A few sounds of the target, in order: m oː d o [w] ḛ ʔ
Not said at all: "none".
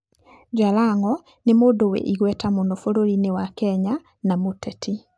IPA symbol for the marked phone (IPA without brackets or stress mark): w